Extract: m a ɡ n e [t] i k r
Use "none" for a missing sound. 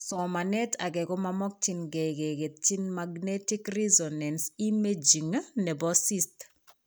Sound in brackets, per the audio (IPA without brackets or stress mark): t